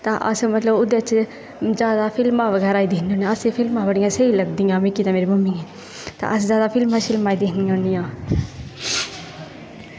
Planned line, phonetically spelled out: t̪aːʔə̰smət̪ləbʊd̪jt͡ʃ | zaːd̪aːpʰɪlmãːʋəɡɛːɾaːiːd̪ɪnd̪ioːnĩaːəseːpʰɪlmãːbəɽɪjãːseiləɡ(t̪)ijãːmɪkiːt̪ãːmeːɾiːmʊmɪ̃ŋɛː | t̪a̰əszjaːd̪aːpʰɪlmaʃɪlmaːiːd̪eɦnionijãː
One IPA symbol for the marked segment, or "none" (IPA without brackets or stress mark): d̪